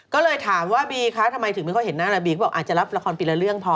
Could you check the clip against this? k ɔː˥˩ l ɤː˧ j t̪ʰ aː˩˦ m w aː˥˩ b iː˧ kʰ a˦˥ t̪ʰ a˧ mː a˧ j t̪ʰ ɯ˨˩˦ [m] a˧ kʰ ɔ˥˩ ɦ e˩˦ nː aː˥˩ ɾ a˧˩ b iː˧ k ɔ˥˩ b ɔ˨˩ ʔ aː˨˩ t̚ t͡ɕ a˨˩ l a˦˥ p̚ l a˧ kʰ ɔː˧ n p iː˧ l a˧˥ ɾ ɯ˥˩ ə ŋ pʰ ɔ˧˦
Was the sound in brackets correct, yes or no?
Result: yes